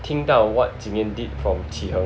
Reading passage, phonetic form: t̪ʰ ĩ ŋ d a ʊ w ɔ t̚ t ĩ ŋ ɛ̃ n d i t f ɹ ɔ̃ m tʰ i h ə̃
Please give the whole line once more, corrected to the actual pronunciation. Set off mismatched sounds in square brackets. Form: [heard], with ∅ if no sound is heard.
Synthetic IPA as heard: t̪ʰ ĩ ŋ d a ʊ w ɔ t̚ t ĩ ŋ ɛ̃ n d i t f ɹ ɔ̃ m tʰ i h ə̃